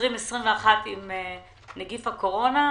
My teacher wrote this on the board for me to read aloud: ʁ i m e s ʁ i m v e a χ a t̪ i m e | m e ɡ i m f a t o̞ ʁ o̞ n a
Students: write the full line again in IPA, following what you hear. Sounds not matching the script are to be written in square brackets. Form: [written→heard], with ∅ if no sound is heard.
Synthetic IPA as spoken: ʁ i m e s ʁ i m v e a χ a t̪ i m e | [m→n] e ɡ i [m→∅] f a [t→k] o̞ ʁ o̞ n a